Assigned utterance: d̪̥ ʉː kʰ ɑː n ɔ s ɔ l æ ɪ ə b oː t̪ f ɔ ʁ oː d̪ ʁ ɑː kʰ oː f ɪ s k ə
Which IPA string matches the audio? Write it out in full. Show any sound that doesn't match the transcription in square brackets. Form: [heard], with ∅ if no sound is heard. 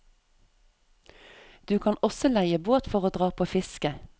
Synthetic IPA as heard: d̪̥ ʉː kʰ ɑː n ɔ s ɔ l æ ɪ ə b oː t̪ f ɔ ʁ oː d̪ ʁ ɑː [pʰ] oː f ɪ s k ə